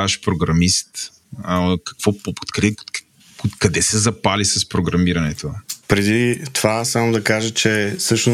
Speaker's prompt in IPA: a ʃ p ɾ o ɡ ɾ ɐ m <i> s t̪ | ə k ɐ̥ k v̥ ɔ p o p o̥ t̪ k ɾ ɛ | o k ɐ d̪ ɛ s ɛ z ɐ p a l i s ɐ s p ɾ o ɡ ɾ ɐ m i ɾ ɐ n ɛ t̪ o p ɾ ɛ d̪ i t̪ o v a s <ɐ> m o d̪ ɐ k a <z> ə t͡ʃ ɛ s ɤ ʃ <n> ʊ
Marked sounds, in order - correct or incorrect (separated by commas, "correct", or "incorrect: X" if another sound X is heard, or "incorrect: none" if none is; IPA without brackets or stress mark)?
correct, incorrect: a, incorrect: ʒ, correct